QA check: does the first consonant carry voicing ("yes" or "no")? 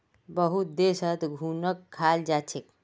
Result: yes